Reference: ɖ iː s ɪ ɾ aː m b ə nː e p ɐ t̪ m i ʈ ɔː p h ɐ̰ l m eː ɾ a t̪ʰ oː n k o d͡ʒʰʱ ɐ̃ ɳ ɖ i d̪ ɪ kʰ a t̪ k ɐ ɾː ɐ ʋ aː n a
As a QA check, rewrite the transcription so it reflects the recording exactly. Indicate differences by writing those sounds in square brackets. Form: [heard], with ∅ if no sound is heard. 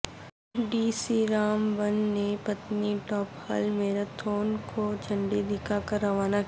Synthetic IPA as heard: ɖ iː s [i] ɾ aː m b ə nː e p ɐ t̪ [n] i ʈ ɔː p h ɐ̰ l m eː ɾ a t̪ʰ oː n k o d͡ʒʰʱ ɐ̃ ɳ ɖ i d̪ ɪ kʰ a [∅] k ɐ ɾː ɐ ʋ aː n a